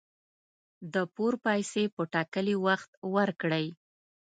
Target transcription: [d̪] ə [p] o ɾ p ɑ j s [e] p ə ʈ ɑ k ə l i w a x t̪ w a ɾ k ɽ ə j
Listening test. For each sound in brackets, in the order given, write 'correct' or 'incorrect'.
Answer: correct, correct, correct

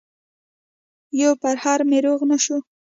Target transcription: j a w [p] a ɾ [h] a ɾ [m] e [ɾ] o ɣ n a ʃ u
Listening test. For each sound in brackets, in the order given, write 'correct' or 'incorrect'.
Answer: correct, correct, correct, correct

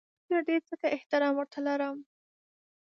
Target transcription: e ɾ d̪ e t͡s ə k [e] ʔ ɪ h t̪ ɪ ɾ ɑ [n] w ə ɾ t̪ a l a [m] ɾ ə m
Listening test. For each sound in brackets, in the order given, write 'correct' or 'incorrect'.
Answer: incorrect: a, incorrect: m, incorrect: none

